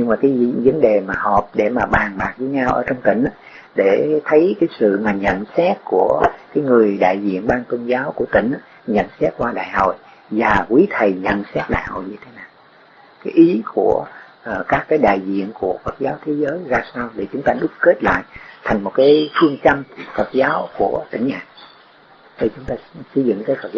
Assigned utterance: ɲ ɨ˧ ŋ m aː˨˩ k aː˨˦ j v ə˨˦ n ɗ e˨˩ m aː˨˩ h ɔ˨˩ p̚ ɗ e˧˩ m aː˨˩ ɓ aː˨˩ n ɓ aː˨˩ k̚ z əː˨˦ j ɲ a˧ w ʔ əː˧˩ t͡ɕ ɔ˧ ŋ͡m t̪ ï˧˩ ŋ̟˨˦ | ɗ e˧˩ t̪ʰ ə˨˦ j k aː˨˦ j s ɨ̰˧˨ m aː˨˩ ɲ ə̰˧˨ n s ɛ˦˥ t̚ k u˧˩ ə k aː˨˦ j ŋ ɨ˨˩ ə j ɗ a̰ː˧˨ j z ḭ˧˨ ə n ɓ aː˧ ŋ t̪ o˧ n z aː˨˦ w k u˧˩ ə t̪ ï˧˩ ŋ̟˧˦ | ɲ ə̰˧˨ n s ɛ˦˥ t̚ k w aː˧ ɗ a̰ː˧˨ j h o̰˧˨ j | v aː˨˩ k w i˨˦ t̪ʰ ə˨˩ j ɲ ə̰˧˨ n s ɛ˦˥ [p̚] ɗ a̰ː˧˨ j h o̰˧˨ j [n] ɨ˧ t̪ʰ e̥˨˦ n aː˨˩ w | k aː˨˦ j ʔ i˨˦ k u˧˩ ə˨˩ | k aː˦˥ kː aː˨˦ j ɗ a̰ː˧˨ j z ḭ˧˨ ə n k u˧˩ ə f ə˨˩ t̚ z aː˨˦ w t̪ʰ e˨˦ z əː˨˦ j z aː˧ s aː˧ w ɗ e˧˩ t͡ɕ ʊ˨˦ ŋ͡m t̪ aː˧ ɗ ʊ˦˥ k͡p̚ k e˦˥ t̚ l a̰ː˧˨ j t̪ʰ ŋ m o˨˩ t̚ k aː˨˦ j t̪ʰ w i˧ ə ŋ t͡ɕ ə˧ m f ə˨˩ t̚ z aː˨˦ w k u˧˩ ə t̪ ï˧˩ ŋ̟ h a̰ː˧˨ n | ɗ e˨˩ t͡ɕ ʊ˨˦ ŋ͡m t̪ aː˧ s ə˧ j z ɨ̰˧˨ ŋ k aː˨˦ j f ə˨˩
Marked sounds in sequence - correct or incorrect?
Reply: incorrect: t̚, incorrect: ɲ

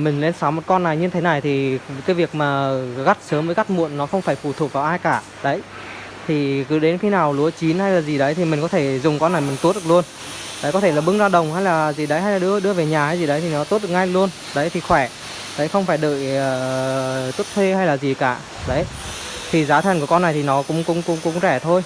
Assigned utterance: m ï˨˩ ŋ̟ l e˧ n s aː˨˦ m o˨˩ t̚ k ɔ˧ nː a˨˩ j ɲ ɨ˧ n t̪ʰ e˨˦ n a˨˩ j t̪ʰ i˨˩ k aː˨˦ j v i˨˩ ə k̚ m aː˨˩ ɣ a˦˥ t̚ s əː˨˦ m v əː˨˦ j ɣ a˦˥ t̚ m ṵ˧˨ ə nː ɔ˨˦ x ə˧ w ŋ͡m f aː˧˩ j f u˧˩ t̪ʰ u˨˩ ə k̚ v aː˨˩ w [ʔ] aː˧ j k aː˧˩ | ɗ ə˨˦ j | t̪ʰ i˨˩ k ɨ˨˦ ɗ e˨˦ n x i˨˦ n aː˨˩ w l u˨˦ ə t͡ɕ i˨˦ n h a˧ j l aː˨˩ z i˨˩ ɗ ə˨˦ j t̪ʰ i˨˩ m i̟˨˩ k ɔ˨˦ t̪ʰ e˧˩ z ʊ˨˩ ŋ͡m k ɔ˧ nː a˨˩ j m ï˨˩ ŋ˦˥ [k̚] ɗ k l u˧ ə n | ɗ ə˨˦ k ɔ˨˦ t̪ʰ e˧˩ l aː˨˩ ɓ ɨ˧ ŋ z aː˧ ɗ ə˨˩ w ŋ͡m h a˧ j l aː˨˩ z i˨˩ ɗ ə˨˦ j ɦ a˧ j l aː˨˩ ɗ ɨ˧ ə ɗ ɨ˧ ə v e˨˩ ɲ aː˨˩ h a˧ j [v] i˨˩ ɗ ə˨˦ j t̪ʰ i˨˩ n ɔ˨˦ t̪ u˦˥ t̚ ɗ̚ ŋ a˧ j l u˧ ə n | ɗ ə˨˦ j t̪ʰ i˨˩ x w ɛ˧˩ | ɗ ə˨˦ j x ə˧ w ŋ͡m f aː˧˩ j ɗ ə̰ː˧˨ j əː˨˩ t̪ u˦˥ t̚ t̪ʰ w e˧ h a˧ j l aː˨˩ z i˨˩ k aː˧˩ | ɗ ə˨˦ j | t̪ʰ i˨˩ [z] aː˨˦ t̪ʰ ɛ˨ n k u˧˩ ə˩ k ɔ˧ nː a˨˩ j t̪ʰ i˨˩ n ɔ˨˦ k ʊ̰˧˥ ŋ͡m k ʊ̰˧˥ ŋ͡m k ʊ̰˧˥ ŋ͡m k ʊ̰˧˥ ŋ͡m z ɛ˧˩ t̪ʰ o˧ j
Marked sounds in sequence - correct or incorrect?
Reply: correct, incorrect: t̚, incorrect: z, correct

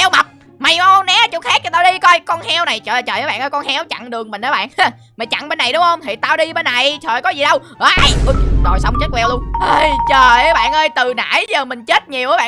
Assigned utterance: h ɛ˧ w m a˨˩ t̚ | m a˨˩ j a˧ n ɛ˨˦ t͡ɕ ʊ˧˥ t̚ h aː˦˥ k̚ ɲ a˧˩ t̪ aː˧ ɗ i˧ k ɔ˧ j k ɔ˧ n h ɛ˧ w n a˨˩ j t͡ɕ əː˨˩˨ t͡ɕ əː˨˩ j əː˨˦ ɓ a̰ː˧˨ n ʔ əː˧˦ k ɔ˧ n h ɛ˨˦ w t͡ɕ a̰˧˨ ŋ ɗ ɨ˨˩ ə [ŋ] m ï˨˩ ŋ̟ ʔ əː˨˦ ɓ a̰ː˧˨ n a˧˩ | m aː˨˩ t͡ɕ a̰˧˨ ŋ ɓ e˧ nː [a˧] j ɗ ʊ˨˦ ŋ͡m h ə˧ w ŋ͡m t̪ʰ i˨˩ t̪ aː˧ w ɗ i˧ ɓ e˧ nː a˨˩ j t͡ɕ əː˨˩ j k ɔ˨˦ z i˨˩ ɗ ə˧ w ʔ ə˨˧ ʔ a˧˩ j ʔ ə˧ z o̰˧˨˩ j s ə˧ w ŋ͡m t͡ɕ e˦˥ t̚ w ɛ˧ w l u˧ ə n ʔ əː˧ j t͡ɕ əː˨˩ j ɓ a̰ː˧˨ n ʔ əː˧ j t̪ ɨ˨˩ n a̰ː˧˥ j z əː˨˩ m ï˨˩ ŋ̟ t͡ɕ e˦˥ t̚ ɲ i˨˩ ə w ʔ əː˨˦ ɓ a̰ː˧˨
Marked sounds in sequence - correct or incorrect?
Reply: correct, incorrect: a˨˩

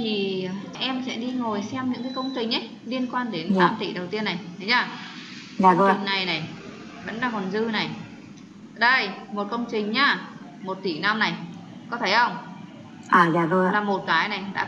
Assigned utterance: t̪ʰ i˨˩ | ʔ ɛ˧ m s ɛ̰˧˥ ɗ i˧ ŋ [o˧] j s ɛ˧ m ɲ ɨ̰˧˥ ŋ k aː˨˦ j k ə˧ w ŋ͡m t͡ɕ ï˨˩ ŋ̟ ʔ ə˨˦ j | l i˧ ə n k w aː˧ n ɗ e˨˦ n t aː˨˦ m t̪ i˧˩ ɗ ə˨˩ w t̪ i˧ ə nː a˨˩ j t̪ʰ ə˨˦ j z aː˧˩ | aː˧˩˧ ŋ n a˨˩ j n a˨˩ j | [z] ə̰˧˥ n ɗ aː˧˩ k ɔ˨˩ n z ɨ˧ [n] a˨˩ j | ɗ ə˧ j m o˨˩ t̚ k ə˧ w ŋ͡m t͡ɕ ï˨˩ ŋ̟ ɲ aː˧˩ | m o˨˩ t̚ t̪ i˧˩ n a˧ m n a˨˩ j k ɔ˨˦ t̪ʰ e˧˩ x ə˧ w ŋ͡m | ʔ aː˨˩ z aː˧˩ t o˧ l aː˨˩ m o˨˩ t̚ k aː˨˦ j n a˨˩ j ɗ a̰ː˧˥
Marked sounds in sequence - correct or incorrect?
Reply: incorrect: o˨˩, incorrect: v, correct

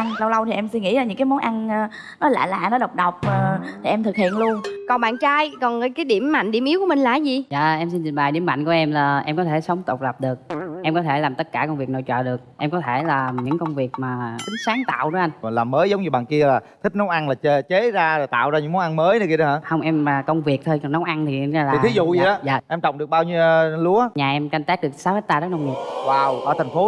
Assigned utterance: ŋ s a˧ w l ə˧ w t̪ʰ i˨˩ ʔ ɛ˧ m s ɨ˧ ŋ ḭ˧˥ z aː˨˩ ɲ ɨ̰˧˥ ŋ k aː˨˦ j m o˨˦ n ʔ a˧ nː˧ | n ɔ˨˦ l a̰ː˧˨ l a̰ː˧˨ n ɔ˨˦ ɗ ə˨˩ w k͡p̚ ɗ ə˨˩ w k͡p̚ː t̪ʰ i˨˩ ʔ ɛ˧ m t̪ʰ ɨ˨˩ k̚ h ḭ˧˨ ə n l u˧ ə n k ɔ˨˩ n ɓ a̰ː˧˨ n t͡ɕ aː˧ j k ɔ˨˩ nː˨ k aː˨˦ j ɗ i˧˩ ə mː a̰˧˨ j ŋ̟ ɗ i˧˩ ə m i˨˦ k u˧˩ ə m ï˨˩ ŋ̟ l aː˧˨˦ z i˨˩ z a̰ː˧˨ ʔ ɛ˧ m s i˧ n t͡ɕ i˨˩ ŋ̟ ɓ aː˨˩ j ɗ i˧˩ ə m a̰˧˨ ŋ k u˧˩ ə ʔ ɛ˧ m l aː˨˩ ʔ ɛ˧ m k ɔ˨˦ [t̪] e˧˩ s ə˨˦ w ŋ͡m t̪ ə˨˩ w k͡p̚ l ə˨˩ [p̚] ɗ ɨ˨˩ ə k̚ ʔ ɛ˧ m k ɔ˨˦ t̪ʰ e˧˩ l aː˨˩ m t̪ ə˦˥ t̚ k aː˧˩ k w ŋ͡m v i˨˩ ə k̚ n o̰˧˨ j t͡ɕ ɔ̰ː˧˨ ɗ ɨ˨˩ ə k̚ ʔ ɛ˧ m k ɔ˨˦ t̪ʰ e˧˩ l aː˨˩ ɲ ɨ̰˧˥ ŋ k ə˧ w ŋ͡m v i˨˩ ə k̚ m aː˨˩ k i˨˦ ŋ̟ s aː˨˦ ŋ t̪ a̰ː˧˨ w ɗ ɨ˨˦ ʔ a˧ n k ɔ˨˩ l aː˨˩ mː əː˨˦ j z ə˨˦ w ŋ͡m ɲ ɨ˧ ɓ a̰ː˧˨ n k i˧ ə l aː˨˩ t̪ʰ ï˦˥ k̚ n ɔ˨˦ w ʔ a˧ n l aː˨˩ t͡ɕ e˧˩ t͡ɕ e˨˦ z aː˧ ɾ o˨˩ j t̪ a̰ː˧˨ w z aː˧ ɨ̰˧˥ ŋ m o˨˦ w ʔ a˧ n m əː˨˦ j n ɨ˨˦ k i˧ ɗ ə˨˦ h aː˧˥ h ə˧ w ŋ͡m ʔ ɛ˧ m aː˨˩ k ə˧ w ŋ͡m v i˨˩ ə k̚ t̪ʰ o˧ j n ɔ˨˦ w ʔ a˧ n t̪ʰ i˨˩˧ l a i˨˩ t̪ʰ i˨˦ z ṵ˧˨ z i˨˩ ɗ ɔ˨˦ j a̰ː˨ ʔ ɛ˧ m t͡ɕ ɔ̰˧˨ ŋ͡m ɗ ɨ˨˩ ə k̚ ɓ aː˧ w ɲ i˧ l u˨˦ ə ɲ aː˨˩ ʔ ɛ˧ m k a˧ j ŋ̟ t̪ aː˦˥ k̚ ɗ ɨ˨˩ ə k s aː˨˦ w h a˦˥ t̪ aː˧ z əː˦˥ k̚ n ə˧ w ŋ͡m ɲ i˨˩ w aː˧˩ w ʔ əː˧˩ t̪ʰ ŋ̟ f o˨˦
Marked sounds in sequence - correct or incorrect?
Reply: incorrect: t̪ʰ, correct

